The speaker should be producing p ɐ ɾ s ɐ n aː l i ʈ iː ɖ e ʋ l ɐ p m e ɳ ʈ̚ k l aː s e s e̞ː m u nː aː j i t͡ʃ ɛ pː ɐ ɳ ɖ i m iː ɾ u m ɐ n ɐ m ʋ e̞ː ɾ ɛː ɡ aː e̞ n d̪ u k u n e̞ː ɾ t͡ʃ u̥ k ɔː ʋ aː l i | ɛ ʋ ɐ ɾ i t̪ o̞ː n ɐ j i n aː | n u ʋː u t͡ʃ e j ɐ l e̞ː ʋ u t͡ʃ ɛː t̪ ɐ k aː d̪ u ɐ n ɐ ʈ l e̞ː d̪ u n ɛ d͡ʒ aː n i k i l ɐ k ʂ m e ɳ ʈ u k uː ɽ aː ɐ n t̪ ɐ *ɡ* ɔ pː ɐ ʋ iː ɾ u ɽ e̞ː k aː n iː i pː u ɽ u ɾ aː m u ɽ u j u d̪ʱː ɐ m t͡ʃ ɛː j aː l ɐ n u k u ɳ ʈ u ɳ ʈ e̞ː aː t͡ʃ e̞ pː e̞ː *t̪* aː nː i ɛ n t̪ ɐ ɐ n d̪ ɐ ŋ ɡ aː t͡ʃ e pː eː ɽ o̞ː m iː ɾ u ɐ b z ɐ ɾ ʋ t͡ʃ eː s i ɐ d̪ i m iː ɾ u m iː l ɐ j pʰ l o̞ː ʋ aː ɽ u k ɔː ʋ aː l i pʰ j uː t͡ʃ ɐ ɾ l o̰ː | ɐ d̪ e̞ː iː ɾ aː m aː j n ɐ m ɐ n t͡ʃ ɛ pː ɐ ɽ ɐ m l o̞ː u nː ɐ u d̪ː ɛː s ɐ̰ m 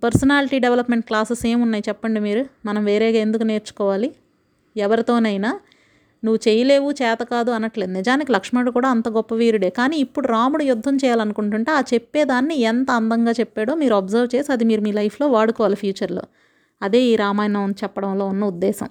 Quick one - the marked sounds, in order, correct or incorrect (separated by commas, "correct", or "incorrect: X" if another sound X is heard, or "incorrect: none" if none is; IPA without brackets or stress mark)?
correct, incorrect: d̪